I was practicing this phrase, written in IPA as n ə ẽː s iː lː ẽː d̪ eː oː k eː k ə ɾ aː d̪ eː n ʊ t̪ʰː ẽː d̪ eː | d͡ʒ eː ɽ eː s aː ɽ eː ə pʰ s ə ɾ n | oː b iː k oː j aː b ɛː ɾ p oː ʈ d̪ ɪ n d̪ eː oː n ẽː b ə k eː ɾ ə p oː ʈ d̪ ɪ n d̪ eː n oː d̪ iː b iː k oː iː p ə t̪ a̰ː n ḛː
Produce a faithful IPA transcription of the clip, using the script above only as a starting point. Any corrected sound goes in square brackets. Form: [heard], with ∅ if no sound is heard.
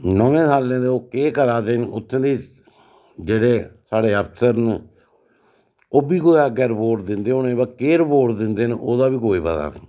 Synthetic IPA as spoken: n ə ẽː s [aː] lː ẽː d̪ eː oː k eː k ə ɾ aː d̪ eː n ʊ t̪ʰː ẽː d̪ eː | d͡ʒ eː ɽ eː s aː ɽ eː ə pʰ s ə ɾ n | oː b iː k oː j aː [ɡ] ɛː ɾ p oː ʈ d̪ ɪ n d̪ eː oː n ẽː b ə k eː ɾ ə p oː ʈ d̪ ɪ n d̪ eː n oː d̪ [aː] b iː k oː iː p ə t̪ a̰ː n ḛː